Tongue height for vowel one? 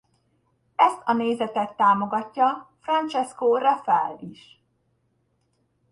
mid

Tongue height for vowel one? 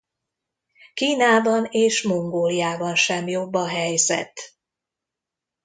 high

